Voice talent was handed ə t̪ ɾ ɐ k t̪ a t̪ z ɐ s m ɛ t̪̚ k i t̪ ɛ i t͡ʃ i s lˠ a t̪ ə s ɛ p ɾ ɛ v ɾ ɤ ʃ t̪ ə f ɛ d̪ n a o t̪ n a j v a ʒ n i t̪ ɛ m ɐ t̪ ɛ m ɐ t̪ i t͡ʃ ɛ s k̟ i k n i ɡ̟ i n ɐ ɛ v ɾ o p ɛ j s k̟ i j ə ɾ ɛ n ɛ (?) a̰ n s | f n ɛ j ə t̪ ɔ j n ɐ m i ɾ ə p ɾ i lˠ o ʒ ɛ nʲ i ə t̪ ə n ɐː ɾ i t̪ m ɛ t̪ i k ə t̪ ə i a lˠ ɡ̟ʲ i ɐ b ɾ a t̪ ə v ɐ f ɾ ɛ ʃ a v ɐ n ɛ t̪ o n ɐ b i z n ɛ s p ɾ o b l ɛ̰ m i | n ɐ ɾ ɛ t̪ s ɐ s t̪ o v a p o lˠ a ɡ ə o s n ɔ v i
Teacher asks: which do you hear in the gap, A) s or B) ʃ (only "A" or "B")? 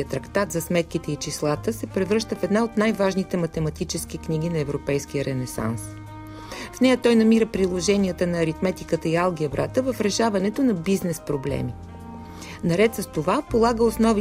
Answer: A